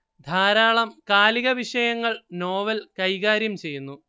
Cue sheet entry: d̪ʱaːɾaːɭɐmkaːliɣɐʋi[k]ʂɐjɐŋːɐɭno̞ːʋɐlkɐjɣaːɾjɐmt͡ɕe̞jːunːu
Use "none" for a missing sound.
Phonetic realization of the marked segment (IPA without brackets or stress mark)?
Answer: none